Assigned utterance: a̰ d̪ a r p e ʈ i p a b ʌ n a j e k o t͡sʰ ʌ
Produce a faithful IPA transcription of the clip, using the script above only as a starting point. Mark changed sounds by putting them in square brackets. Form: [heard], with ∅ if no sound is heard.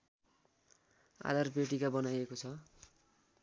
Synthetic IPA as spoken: a̰ d̪ a r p e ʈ i [k] a b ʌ n a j e k o t͡sʰ ʌ